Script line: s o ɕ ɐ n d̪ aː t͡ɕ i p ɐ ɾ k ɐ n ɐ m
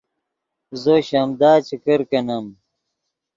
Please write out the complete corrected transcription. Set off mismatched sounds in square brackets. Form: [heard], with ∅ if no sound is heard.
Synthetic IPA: [z] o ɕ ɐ [m] d̪ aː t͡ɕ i [k] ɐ ɾ k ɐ n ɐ m